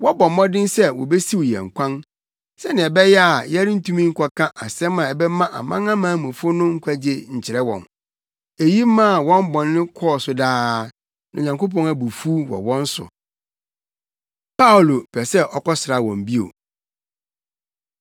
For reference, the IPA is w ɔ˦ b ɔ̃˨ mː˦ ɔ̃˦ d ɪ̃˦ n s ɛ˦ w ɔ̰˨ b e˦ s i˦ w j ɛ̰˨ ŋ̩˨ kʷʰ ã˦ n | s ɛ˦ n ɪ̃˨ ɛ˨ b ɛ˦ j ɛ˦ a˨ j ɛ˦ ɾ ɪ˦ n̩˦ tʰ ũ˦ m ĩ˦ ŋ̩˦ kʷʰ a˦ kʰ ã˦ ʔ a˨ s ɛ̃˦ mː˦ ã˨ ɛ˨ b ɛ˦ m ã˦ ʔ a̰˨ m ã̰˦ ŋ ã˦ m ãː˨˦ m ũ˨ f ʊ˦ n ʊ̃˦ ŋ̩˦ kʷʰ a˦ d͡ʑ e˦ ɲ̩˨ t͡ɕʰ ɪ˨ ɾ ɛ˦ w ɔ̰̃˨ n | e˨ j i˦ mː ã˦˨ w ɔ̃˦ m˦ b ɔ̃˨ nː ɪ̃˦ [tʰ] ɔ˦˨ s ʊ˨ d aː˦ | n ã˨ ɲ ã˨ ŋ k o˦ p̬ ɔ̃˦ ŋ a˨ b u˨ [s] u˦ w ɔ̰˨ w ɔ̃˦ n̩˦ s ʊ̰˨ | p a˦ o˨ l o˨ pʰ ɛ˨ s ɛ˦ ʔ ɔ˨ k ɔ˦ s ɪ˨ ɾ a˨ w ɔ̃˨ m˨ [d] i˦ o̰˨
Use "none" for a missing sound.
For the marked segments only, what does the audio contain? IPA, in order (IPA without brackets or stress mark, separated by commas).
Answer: kʰ, f, b